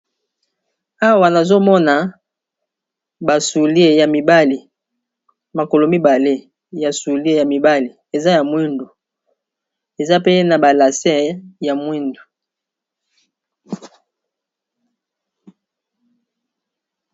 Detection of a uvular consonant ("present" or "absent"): absent